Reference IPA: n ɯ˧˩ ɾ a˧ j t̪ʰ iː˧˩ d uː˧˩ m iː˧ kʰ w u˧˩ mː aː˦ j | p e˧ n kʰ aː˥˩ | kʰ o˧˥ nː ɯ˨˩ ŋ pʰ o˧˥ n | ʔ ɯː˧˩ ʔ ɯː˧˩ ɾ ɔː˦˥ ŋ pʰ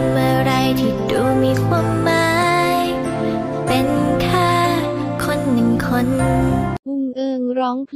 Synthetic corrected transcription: m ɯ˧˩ ɾ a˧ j t̪ʰ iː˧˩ d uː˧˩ m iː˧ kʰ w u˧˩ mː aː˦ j | p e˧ n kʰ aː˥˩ | kʰ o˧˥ nː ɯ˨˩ ŋ kʰ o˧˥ n | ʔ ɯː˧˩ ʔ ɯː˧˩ ɾ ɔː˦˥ ŋ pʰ

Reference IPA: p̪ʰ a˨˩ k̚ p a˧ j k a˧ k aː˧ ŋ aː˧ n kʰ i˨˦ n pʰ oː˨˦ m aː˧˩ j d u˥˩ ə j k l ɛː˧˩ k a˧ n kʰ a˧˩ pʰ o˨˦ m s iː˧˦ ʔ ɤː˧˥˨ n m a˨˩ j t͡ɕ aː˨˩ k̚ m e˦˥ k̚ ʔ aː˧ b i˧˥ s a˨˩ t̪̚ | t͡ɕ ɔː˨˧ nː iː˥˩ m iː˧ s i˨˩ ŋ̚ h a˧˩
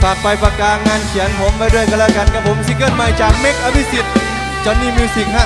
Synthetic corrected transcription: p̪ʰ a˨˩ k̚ p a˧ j p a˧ k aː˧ ŋ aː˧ n kʰ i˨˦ n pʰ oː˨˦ m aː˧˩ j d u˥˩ ə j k l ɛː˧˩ k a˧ n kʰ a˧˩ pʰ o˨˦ m s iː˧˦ k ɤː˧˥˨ n m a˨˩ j t͡ɕ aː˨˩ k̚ m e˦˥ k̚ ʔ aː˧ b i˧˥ s i˨˩ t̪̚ | t͡ɕ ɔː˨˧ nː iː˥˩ m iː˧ s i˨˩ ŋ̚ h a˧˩

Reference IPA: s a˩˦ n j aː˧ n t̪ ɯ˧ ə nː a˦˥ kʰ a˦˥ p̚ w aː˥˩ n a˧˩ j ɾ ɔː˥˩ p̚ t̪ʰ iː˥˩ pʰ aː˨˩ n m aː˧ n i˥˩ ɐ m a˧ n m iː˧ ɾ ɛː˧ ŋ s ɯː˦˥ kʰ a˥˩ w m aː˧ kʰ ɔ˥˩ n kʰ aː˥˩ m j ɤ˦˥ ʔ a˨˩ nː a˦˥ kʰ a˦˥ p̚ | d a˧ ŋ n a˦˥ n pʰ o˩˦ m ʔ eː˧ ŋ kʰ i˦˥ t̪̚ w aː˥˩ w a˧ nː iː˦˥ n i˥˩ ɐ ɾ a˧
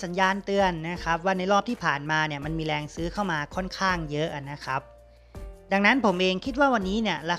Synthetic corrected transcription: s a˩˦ n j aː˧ n t̪ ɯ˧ ə nː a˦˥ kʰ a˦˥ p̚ w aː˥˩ n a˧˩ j ɾ ɔː˥˩ p̚ t̪ʰ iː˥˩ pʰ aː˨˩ n m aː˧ n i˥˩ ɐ m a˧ n m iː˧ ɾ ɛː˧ ŋ s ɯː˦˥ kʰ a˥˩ w m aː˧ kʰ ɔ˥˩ n kʰ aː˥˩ ŋ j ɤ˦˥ ʔ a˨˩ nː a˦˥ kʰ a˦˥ p̚ | d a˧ ŋ n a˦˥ n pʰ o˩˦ m ʔ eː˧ ŋ kʰ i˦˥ t̪̚ w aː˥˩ w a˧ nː iː˦˥ n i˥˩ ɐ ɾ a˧

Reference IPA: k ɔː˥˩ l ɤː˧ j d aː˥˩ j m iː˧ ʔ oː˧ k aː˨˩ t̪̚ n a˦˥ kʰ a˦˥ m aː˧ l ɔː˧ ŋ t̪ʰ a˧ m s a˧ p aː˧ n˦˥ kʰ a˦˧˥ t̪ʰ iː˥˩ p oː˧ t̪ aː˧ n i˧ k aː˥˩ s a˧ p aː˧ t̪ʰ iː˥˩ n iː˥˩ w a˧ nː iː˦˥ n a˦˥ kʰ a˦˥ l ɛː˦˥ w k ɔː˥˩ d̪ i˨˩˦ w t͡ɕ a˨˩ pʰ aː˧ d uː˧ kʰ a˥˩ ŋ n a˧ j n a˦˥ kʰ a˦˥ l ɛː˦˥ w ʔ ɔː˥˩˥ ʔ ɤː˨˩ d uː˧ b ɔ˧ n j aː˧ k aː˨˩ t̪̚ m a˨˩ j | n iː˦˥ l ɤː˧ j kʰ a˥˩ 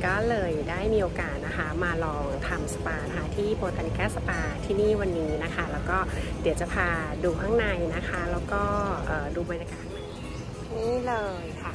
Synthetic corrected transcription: k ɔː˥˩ l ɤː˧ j d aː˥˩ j m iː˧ ʔ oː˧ k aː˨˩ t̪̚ n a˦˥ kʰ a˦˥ m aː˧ l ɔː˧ ŋ t̪ʰ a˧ m s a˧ p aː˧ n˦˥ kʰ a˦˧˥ t̪ʰ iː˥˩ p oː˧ t̪ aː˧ n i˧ k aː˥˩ s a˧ p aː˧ t̪ʰ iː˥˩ n iː˥˩ w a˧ nː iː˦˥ n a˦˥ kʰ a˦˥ l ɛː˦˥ w k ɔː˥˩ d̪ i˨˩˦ w t͡ɕ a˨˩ pʰ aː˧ d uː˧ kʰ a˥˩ ŋ n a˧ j n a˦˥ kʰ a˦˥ l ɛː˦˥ w k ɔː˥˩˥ ʔ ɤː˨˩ d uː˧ b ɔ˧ n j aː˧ k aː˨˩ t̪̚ m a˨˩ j | n iː˦˥ l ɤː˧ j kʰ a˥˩

